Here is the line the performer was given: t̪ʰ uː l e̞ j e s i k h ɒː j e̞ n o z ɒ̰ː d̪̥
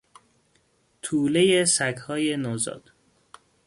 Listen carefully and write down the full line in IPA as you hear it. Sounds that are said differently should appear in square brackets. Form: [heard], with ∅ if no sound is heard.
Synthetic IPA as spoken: t̪ʰ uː l e̞ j e s [æ] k h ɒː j e̞ n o z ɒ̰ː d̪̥